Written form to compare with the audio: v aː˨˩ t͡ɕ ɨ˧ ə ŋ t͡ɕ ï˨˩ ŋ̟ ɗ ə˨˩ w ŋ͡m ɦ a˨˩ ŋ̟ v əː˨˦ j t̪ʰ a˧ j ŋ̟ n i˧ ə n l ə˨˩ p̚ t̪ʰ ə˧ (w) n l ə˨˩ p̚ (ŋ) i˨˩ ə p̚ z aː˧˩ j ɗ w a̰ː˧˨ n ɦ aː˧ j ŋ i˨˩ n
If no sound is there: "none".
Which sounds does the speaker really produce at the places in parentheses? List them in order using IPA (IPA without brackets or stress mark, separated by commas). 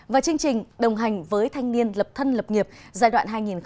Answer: none, ŋ